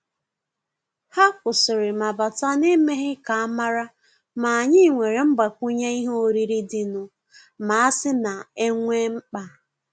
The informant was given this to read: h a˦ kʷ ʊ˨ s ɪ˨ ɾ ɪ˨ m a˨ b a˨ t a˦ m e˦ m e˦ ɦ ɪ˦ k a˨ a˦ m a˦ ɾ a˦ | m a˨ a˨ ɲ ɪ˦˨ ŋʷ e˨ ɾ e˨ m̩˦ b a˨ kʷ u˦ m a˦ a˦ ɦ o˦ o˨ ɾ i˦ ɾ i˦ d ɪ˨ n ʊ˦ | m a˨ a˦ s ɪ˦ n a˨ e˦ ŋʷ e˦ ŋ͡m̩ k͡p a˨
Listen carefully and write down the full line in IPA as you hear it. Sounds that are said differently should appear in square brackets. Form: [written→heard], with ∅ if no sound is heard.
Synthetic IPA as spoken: h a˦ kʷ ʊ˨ s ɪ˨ ɾ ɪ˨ m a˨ b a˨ t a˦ [m→n] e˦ m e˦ ɦ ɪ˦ k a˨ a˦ m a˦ ɾ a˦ | m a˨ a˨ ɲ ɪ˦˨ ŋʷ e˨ ɾ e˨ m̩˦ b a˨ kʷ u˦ [m→ɲ] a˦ [a˦→i˦] ɦ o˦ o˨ ɾ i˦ ɾ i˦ d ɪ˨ n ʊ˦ | m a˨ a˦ s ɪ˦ n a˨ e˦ ŋʷ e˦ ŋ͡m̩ k͡p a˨